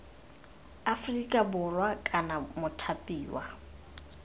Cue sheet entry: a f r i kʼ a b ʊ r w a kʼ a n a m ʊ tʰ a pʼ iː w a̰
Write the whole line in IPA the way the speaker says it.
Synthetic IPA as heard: a f r i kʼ a b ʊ r w a kʼ a n a m ʊ tʰ a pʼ iː w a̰